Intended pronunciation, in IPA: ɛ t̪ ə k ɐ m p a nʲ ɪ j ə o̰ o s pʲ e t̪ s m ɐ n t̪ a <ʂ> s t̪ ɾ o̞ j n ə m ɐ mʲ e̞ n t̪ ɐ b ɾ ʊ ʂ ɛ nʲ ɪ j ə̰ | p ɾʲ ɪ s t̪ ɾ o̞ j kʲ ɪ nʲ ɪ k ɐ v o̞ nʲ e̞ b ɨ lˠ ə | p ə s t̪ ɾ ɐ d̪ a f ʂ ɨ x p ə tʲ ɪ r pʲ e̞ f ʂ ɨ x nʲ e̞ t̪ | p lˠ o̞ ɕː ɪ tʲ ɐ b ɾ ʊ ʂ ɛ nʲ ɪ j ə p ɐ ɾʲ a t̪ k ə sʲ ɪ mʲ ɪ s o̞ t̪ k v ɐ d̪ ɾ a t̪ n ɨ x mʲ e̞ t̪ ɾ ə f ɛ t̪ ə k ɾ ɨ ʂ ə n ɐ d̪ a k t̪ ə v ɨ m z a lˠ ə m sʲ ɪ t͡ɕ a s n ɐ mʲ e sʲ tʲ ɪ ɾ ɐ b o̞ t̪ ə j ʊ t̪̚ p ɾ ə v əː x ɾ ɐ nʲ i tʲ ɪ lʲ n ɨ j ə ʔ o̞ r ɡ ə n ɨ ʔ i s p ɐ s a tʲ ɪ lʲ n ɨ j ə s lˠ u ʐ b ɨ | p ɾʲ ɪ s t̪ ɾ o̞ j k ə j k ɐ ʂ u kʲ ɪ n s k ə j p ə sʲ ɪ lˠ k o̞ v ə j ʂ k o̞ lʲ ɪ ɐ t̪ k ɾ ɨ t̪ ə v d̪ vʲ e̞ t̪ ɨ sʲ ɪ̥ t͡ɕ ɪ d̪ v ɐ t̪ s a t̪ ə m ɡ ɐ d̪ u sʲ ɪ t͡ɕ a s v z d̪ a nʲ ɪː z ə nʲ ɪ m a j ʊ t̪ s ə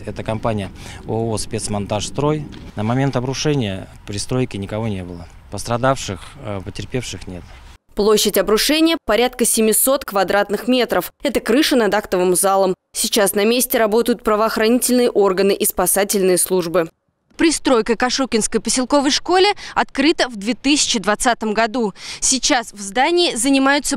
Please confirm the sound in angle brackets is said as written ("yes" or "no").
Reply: yes